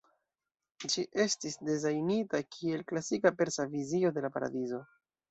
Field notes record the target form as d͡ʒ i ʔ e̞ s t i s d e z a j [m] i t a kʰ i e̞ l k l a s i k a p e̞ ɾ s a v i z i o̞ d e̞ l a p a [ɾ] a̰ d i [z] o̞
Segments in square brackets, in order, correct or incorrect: incorrect: n, correct, correct

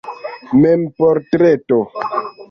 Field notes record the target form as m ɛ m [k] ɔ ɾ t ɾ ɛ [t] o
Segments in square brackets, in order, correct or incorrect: incorrect: p, correct

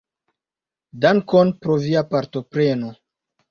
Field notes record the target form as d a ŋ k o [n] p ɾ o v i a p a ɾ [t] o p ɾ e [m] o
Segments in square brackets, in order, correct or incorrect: correct, correct, incorrect: n

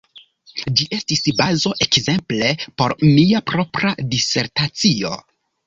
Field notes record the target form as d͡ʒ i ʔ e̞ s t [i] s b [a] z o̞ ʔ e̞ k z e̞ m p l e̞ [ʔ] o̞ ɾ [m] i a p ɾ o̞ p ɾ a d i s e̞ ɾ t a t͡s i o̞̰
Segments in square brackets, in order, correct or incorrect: correct, correct, incorrect: p, correct

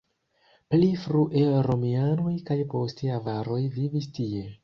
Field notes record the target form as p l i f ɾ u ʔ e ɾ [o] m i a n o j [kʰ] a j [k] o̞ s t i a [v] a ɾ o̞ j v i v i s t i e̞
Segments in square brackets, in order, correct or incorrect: correct, incorrect: k, incorrect: p, correct

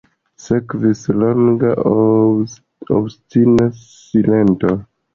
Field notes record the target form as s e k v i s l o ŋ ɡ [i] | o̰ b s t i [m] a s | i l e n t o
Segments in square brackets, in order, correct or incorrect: incorrect: a, incorrect: n

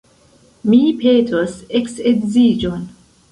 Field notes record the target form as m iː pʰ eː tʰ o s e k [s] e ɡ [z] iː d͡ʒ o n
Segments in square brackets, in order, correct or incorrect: correct, correct

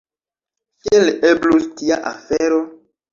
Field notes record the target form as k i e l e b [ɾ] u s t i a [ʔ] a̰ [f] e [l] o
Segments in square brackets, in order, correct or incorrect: incorrect: l, correct, correct, incorrect: ɾ

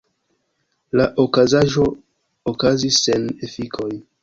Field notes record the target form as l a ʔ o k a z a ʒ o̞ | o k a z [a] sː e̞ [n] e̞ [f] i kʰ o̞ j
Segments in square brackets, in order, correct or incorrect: incorrect: i, correct, correct

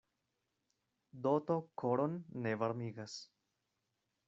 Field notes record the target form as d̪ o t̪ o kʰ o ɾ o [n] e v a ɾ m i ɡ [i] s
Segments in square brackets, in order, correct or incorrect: incorrect: nː, incorrect: a

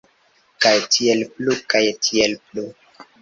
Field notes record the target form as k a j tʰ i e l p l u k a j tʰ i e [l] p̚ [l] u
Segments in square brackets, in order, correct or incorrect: correct, correct

